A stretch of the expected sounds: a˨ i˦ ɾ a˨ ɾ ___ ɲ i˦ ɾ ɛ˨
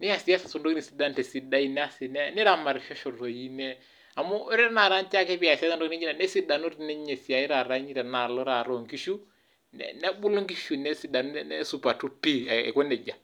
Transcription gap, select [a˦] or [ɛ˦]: a˦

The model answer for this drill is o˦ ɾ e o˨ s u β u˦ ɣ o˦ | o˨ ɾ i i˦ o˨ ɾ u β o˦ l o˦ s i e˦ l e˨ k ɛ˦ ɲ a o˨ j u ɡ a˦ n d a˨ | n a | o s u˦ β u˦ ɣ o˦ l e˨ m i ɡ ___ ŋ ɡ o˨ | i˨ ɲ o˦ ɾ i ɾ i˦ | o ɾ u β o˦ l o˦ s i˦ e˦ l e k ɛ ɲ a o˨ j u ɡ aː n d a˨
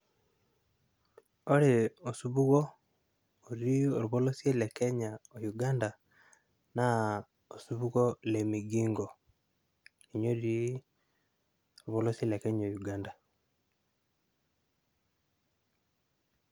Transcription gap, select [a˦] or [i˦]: i˦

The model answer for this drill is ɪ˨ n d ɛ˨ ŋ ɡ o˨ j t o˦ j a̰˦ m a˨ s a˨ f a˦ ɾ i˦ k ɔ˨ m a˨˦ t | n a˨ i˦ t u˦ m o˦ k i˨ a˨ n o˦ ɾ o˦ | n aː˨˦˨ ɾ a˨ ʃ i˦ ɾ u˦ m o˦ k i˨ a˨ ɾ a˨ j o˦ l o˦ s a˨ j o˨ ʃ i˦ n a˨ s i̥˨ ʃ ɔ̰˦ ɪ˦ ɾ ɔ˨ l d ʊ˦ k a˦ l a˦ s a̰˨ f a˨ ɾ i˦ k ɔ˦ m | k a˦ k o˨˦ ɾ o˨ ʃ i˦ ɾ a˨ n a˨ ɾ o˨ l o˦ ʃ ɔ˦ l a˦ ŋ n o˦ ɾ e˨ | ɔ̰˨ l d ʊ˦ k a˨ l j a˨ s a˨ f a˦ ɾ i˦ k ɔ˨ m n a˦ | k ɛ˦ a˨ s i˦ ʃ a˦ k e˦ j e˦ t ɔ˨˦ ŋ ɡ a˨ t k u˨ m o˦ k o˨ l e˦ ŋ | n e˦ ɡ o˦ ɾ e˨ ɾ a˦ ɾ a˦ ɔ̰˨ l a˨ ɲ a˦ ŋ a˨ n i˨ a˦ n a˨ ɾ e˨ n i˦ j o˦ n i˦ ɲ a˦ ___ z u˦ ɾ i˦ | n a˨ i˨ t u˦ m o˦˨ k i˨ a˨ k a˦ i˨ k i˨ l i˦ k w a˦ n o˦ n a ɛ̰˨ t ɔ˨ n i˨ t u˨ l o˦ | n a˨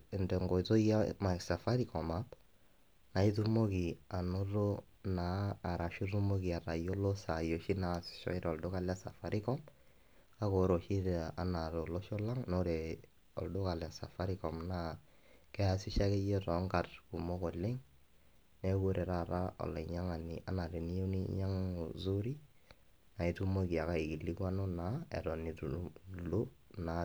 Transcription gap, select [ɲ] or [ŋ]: ŋ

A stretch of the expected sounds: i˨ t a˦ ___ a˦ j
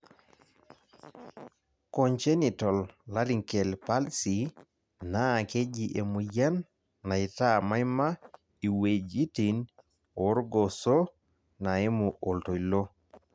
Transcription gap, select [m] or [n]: m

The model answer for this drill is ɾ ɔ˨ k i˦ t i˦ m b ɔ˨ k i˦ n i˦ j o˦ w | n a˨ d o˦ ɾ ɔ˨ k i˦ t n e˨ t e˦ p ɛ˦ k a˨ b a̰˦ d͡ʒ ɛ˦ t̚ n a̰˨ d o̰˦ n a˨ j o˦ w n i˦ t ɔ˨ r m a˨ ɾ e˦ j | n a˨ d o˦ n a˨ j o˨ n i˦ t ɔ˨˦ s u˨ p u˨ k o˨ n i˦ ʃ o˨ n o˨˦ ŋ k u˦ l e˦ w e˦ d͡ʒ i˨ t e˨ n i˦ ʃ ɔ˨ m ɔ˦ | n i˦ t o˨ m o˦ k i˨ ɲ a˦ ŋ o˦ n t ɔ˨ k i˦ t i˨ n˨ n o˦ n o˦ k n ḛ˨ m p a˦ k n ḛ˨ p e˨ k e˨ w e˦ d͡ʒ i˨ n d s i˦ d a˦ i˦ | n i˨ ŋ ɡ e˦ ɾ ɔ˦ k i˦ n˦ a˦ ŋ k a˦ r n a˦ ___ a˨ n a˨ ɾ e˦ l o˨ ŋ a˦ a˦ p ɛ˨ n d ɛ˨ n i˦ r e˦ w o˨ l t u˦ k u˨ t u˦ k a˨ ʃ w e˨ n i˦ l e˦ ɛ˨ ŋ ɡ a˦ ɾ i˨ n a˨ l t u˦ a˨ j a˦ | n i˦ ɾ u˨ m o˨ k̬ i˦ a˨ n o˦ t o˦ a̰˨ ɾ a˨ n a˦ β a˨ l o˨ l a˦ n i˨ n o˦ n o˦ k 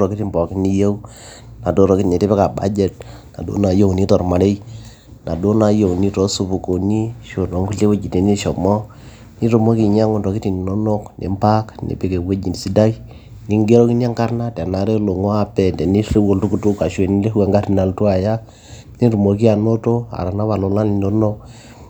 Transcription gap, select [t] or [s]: t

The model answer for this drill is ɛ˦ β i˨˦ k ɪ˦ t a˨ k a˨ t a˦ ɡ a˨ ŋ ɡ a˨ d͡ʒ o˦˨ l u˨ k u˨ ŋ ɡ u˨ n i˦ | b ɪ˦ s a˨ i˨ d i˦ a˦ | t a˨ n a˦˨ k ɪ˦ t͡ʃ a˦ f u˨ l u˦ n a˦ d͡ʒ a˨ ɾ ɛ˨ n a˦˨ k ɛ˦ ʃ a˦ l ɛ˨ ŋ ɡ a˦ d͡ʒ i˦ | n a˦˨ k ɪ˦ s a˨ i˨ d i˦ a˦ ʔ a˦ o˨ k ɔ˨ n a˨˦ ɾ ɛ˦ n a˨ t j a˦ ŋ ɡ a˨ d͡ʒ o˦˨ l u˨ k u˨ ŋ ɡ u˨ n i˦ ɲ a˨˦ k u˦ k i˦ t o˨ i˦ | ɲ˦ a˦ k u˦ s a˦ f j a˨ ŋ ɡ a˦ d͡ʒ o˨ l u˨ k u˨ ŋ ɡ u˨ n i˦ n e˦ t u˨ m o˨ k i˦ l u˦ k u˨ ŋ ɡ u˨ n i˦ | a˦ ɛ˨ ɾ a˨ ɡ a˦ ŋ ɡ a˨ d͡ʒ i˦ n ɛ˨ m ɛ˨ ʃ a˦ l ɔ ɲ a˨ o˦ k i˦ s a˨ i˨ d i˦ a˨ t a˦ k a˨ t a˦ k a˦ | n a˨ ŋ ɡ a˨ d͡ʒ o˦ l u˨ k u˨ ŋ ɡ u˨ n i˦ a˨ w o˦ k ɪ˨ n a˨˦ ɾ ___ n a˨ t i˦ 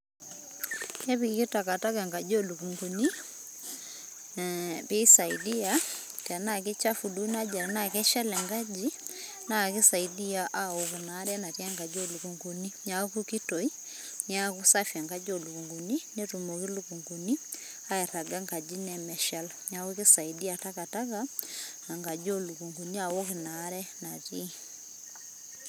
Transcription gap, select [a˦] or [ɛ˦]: ɛ˦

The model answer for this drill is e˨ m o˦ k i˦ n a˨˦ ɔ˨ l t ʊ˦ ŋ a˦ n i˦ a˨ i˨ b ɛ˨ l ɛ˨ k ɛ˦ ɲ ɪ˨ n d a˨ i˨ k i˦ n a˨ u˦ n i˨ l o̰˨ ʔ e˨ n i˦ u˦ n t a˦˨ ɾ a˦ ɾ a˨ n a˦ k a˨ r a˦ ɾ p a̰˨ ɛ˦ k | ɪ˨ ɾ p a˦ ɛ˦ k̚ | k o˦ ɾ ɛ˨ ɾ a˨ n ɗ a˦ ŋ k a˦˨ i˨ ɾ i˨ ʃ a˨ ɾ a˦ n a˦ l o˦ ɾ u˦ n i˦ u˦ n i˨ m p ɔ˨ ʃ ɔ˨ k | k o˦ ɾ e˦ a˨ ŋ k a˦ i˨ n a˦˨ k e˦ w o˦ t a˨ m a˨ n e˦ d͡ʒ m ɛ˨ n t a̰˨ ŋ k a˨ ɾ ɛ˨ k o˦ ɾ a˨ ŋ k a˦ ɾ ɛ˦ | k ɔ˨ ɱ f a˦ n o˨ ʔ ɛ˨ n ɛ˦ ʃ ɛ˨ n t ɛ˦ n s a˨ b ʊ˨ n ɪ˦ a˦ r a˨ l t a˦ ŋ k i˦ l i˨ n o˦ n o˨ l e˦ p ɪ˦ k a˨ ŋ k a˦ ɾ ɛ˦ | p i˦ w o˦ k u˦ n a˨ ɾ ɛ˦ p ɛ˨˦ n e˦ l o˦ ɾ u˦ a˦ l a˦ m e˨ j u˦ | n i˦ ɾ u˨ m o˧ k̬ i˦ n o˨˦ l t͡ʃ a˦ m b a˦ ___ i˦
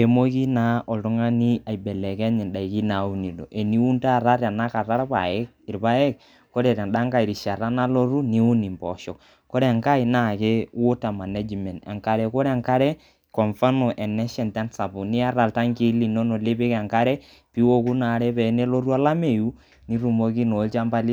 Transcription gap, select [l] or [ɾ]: l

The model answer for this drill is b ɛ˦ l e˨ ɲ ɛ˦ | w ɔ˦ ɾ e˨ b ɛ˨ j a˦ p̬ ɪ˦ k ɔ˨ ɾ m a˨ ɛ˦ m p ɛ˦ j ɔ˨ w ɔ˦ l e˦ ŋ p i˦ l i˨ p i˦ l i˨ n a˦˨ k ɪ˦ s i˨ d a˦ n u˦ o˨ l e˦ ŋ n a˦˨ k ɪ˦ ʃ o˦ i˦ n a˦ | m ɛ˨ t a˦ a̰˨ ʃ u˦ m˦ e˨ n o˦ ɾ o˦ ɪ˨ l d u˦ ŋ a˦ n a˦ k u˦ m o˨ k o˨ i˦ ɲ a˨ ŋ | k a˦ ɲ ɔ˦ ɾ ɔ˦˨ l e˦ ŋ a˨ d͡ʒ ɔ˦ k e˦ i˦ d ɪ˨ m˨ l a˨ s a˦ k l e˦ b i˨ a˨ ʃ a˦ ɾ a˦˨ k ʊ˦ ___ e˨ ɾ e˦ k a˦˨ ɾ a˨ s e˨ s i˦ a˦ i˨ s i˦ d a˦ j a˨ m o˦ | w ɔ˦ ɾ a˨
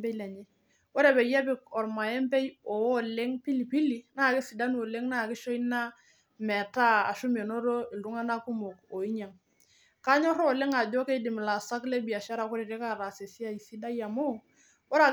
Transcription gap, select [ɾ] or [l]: ɾ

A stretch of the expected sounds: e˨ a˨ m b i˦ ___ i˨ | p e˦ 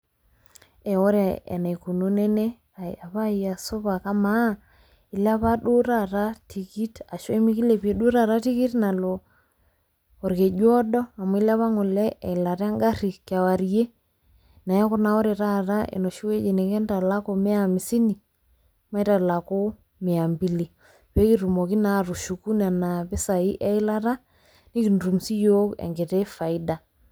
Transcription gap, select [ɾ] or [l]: l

